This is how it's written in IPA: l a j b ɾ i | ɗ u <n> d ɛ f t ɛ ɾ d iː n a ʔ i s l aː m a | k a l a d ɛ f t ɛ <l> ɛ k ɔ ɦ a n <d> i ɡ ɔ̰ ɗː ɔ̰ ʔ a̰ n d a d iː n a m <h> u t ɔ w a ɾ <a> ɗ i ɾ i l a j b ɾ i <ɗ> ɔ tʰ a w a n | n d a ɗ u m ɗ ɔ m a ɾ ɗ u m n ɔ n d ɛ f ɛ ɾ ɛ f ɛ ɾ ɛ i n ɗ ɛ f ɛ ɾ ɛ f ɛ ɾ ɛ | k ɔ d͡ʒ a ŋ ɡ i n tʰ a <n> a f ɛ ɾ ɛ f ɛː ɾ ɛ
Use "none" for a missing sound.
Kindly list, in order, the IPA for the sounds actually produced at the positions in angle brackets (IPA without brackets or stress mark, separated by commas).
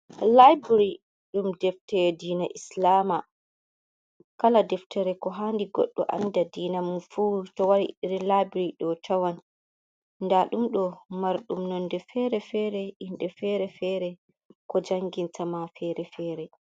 m, ɾ, d, f, i, ɗ, m